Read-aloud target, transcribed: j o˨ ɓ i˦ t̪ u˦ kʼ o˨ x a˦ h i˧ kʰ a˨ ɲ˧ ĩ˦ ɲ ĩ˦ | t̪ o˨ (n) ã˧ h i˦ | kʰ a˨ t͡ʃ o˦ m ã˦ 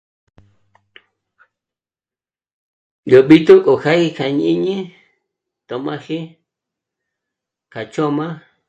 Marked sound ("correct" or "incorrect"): incorrect